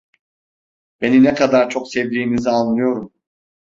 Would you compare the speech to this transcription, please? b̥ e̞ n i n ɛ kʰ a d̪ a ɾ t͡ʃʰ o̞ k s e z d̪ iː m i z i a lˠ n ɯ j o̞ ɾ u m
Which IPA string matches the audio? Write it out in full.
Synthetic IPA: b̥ e̞ n i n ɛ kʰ a d̪ a ɾ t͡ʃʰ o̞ k s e v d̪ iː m i z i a lˠ n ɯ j o̞ ɾ u m